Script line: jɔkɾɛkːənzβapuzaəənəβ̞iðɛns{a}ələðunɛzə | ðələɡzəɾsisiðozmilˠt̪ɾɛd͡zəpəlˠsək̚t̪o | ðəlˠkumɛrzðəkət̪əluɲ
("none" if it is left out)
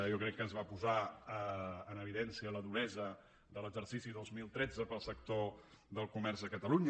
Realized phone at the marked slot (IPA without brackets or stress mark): i